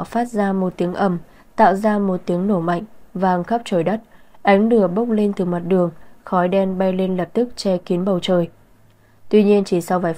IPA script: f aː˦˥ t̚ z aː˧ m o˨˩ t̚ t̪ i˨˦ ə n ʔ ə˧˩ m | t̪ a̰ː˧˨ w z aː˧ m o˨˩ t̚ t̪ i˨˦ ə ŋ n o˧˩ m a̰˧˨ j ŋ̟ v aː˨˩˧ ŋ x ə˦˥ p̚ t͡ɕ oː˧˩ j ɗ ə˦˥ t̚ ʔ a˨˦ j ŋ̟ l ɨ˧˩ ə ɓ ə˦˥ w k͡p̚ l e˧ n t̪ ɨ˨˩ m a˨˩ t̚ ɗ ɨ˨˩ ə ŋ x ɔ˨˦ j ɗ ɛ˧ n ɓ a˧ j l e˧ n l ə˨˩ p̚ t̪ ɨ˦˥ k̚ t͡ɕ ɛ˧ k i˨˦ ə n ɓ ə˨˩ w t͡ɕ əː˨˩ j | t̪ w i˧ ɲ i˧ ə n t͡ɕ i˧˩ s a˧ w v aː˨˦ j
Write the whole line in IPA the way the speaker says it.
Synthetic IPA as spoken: f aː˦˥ t̚ z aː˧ m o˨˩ t̚ t̪ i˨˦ ə ŋ ʔ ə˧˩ m | t̪ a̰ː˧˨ w z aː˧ m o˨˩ t̚ t̪ i˨˦ ə ŋ n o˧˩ m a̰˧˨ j ŋ̟ v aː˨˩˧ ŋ x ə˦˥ p̚ t͡ɕ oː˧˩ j ɗ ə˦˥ t̚ ʔ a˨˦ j ŋ̟ l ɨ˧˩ ə ɓ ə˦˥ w k͡p̚ l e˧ n t̪ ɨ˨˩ m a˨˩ t̚ ɗ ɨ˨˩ ə ŋ x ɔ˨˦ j ɗ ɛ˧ n ɓ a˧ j l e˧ n l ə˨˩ p̚ t̪ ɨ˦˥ k̚ t͡ɕ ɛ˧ k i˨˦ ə n ɓ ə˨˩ w t͡ɕ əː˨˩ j | t̪ w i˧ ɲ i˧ ə n t͡ɕ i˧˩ s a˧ w v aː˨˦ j